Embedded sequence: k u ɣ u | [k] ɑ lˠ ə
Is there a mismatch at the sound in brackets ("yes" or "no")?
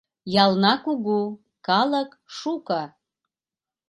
no